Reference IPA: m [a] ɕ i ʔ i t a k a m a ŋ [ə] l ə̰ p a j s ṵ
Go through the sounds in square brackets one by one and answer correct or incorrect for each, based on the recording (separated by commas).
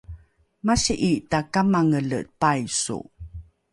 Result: correct, correct